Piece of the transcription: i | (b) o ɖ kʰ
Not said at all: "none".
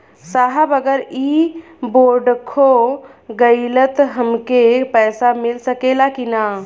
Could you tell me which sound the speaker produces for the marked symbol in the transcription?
b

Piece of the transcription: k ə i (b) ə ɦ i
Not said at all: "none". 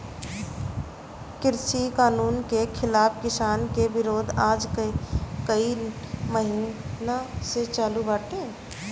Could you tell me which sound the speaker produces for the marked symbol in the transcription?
m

